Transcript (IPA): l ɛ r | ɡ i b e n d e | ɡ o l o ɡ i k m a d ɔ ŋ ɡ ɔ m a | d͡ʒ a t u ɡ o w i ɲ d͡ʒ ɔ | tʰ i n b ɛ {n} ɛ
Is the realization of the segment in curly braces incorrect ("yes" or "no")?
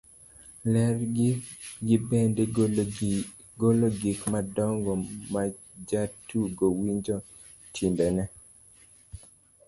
no